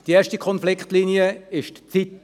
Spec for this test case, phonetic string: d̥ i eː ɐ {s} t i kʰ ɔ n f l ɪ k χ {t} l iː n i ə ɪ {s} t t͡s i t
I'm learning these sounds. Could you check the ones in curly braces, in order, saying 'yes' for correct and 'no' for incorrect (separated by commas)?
no, yes, no